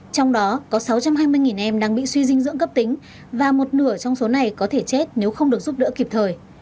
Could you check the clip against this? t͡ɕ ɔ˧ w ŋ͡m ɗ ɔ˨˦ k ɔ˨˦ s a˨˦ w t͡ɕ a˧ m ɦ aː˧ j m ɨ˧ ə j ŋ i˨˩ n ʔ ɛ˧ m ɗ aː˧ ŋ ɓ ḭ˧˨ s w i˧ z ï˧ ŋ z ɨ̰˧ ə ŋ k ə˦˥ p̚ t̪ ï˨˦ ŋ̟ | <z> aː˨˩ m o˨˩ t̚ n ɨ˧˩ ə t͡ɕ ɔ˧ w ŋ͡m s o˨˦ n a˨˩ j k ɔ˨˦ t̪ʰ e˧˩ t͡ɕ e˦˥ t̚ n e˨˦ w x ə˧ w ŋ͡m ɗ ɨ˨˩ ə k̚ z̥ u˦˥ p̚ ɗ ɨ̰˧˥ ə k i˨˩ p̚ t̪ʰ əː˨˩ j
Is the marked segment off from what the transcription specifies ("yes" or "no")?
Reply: yes